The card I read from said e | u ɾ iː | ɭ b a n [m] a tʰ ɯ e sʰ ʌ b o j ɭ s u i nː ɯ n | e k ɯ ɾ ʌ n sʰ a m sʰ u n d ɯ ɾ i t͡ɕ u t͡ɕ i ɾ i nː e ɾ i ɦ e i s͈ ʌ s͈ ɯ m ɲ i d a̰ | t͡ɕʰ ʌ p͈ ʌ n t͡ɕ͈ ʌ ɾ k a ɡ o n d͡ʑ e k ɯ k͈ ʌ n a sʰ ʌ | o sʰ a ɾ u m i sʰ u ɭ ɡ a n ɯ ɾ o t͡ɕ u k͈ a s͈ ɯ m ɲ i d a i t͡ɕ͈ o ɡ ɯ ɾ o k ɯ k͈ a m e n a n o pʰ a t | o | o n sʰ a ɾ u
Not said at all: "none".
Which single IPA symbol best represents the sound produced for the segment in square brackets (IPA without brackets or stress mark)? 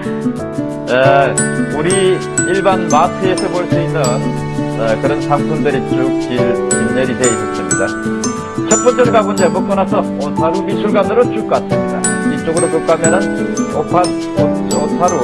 m